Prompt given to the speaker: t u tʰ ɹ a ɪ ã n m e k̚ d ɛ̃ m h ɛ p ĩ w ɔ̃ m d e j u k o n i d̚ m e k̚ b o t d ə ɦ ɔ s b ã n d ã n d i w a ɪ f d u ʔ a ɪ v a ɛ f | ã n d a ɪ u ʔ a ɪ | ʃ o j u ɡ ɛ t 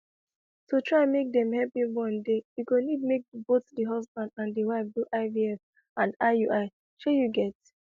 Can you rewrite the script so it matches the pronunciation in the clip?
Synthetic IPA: t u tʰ ɹ a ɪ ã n m e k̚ d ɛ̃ m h ɛ p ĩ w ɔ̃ n d e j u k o n i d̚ m e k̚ b o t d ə ɦ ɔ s b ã n d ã n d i w a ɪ f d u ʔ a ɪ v i ɛ f | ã n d a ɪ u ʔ a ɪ | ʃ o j u ɡ ɛ t